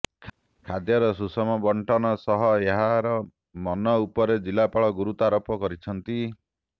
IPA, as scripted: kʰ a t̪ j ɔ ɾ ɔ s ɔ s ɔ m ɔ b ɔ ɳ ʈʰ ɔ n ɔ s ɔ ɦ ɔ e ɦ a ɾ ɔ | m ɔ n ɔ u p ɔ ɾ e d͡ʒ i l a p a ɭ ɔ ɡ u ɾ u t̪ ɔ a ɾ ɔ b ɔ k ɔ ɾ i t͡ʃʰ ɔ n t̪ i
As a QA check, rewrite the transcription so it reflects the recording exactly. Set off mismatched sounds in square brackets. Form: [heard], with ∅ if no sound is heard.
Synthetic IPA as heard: kʰ a [d̪] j ɔ ɾ ɔ s [u] s ɔ m ɔ b ɔ ɳ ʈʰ ɔ n ɔ s ɔ ɦ ɔ e ɦ a ɾ ɔ | m ɔ n ɔ u p ɔ ɾ e d͡ʒ i l a p a ɭ ɔ ɡ u ɾ u t̪ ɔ a ɾ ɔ [p] ɔ k ɔ ɾ i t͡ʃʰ ɔ n t̪ i